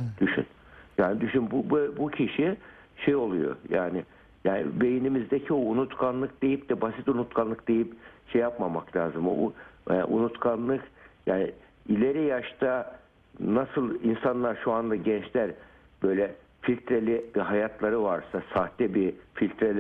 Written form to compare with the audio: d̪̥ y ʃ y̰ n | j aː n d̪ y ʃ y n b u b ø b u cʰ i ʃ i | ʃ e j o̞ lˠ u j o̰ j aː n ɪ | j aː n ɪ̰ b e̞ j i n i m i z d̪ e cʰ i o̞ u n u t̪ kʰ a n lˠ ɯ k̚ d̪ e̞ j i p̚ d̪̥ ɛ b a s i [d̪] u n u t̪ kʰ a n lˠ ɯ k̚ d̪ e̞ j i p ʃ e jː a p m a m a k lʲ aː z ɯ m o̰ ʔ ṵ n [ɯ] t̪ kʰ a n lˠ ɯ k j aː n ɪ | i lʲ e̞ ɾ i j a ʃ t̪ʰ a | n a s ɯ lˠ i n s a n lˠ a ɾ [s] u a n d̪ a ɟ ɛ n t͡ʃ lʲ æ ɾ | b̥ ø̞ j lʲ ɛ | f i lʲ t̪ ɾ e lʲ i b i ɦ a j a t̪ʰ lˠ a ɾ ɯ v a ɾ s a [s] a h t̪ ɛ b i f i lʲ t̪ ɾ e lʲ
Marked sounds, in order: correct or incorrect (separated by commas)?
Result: incorrect, incorrect, incorrect, correct